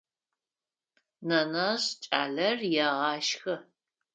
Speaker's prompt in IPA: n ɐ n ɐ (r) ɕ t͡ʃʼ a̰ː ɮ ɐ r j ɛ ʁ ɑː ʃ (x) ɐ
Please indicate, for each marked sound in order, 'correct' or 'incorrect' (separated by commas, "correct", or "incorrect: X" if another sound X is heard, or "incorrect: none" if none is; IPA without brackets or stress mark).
incorrect: none, correct